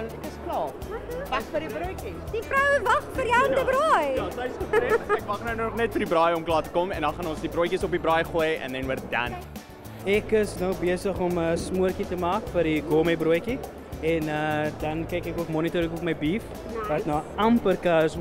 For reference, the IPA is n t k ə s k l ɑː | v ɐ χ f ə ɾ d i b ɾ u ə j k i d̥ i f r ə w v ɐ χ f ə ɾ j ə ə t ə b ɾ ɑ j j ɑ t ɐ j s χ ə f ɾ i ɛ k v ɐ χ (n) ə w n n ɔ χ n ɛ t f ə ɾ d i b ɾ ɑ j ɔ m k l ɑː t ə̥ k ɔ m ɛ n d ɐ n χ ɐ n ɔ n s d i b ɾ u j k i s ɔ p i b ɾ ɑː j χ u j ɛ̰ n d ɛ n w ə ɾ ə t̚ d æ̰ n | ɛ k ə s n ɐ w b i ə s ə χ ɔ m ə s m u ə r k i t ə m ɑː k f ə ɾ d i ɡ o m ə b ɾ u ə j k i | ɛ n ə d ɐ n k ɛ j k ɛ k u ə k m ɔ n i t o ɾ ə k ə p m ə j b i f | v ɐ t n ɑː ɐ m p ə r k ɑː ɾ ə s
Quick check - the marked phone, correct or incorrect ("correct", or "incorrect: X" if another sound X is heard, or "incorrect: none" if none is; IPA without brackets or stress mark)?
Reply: correct